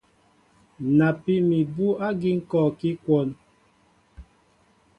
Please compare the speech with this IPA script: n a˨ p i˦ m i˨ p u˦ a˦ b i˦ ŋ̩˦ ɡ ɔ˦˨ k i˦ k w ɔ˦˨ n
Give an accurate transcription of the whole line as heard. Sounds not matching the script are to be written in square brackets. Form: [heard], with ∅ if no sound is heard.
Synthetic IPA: n a˨ p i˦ m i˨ [b] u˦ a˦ [ɡ] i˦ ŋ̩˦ [k] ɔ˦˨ k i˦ k w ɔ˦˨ n